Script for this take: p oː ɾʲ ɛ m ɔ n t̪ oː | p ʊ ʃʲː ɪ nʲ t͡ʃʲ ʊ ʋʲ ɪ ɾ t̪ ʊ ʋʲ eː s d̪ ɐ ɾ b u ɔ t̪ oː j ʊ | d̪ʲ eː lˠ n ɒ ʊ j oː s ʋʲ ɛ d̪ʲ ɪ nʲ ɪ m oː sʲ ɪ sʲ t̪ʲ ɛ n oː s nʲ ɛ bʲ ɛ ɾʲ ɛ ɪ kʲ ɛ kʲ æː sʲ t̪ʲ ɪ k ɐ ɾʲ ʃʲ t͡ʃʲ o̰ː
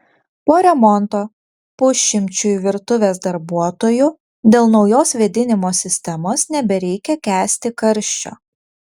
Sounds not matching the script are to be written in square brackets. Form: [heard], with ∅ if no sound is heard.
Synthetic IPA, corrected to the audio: p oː ɾʲ ɛ m ɔ n t̪ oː | p ʊ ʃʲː ɪ [mʲ] t͡ʃʲ ʊ ʋʲ ɪ ɾ t̪ ʊ ʋʲ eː s d̪ ɐ ɾ b u ɔ t̪ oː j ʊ | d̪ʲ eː lˠ n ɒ ʊ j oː s ʋʲ ɛ d̪ʲ ɪ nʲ ɪ m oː sʲ ɪ sʲ t̪ʲ ɛ [m] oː s nʲ ɛ bʲ ɛ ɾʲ ɛ ɪ kʲ ɛ kʲ æː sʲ t̪ʲ ɪ k ɐ ɾʲ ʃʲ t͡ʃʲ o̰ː